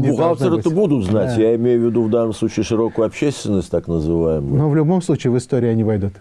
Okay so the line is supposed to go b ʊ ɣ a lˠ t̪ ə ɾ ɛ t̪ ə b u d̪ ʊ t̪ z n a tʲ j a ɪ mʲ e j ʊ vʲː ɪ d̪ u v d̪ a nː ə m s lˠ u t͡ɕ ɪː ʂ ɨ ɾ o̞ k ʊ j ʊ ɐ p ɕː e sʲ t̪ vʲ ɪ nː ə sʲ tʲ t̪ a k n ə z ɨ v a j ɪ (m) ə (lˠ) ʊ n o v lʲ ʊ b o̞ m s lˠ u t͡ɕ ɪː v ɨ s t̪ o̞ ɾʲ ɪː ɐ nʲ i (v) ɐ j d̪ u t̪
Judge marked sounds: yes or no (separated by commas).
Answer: yes, no, yes